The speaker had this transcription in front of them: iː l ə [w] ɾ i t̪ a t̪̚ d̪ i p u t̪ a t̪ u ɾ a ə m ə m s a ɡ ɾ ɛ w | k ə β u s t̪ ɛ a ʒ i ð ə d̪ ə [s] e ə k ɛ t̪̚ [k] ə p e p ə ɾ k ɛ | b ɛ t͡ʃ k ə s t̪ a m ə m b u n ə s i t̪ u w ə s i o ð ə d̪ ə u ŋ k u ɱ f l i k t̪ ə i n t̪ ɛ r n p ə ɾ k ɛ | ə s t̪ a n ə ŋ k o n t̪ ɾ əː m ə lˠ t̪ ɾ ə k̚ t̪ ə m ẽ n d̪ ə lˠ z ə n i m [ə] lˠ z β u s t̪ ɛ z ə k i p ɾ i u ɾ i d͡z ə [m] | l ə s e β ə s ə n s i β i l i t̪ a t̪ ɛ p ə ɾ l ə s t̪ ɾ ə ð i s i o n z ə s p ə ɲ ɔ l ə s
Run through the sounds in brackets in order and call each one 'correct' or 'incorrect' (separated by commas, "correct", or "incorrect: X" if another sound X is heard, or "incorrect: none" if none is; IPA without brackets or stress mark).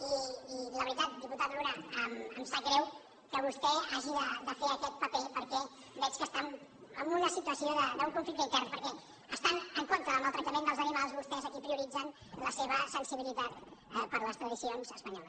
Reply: incorrect: β, incorrect: f, incorrect: p, incorrect: a, incorrect: n